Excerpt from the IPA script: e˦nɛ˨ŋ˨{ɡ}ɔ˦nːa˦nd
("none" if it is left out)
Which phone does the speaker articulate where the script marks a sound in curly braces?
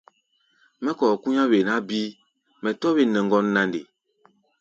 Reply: ɡ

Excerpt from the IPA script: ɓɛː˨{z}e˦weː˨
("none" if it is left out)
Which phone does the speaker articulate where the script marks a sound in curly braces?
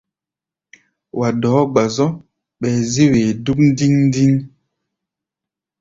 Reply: z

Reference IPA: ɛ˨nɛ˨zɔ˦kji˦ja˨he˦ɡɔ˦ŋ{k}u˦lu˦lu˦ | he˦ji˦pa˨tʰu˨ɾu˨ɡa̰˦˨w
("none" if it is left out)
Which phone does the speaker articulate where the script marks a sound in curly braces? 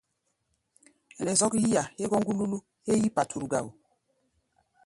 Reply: ɡ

